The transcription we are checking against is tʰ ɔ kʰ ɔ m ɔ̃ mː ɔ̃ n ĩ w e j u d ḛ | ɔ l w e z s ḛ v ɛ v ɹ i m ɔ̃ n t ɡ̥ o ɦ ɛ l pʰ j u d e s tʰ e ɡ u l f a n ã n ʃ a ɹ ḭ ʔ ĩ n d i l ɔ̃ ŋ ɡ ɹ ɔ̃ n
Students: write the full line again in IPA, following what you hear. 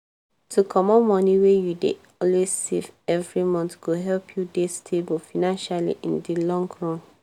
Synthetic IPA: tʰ u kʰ ɔ m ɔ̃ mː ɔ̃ n i w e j u d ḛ | ɔ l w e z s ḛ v ɛ v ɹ i m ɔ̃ n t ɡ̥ o ɦ ɛ l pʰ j u d e s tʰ e b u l f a n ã n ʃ a l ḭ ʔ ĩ n d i l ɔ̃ ŋ ɡ ɹ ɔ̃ n